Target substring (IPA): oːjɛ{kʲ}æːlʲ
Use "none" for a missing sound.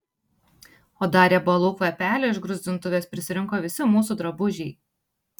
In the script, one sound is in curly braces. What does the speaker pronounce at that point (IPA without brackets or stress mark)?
pʲ